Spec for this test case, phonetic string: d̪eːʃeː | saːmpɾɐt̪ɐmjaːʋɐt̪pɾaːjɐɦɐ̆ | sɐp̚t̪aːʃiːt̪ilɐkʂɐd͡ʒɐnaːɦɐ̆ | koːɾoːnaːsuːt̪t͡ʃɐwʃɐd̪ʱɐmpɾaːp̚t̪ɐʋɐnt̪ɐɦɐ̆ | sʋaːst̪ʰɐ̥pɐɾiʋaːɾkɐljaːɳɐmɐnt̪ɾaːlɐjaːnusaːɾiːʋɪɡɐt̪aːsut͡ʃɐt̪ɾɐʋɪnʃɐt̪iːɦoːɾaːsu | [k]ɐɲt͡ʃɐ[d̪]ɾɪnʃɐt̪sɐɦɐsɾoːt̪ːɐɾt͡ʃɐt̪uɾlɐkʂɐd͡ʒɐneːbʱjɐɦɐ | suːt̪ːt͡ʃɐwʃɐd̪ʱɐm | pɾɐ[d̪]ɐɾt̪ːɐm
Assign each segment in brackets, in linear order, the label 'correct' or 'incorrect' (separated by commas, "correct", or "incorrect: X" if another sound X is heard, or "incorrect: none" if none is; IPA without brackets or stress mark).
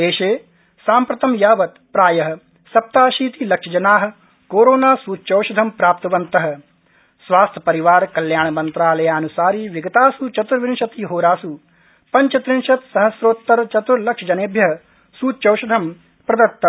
incorrect: p, incorrect: t̪, correct